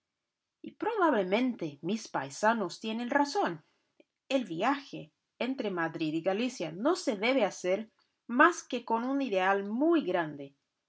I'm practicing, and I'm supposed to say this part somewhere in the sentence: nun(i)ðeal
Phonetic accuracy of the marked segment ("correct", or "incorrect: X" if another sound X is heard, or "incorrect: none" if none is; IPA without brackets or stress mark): correct